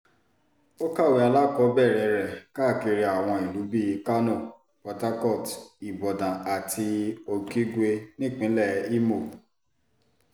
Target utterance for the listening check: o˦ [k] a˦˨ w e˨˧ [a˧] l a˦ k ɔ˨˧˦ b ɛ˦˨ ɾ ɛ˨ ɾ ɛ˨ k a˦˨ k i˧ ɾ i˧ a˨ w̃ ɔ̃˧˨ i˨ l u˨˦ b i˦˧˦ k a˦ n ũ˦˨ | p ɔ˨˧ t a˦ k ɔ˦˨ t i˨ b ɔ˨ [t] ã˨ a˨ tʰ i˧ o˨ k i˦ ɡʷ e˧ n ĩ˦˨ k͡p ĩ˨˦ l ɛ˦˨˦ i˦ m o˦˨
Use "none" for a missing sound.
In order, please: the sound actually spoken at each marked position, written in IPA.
k, a˧, d

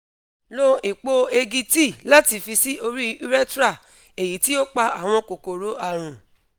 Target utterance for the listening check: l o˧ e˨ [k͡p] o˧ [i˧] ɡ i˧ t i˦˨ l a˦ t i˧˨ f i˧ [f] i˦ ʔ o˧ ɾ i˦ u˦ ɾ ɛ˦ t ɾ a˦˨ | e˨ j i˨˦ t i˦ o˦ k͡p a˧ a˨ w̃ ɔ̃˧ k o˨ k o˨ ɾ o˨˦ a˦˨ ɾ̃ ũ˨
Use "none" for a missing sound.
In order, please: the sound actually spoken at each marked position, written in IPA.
k͡p, e˧, s

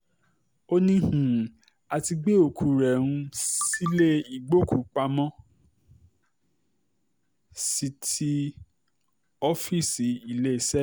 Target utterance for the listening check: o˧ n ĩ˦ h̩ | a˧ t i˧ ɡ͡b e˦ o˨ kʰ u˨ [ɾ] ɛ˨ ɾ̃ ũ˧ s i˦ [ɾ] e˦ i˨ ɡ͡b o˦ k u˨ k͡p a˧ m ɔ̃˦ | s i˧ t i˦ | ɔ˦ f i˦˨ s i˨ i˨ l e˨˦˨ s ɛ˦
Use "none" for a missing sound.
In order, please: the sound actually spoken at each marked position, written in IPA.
ɾ, l

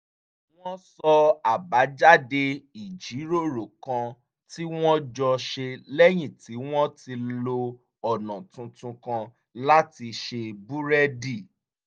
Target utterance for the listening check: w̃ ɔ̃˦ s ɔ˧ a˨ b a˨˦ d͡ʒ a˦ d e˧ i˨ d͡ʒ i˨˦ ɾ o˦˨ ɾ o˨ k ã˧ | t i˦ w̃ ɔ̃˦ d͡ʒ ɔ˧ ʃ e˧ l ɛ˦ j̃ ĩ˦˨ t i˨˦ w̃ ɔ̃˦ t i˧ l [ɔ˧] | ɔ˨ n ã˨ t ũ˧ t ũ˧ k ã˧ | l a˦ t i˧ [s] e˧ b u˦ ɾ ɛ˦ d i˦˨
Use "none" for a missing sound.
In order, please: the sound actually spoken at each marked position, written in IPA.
o˧, ʃ

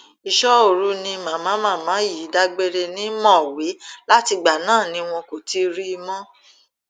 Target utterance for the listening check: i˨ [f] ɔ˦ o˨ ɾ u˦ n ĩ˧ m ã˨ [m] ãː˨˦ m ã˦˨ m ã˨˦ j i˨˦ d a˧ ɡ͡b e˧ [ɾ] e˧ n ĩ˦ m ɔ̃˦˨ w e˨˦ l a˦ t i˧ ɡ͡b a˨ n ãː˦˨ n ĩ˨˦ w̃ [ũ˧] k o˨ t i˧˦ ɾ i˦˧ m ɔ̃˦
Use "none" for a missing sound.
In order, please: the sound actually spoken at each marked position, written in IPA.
ʃ, m, ɾ, ɔ̃˧

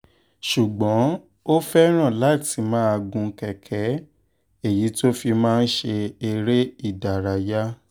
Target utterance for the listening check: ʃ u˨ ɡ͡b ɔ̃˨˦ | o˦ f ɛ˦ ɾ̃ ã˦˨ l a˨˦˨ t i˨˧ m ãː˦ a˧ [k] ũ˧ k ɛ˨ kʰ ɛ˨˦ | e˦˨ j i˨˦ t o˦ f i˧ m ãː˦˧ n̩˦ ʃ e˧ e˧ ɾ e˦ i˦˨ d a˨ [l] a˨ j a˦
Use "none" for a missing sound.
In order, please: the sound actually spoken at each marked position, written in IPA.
ɡ, ɾ

